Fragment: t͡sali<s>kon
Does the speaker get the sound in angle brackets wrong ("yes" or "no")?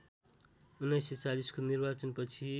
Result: no